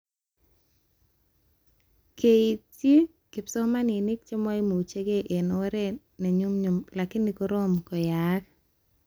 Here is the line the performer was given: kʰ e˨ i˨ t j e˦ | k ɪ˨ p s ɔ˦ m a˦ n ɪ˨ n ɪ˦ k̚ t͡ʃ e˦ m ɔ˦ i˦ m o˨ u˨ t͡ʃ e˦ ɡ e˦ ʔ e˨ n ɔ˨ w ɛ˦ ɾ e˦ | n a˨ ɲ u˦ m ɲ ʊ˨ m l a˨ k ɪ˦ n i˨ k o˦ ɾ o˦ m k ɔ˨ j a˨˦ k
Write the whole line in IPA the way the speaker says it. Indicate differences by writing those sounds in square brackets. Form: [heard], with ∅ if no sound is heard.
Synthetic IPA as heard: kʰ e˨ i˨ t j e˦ | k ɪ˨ p s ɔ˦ m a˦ n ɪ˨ n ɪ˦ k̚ t͡ʃ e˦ m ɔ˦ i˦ m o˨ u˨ t͡ʃ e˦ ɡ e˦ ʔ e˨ n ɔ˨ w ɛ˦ ɾ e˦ | n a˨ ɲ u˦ m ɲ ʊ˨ m l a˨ k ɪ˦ n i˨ k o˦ ɾ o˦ m k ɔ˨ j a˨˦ k